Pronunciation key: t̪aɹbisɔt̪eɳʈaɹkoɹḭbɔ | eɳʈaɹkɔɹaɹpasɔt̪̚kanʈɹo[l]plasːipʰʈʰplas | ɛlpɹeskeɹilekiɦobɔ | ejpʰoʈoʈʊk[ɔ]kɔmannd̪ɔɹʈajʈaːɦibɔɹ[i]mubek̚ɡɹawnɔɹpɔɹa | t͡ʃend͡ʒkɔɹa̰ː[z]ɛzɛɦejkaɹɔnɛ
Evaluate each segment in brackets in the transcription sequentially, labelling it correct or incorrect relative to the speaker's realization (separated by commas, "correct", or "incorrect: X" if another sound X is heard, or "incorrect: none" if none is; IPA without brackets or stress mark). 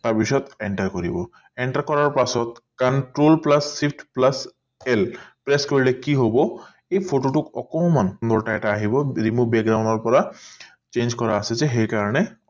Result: correct, correct, correct, incorrect: s